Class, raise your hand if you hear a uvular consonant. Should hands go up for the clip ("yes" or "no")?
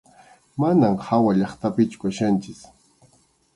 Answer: yes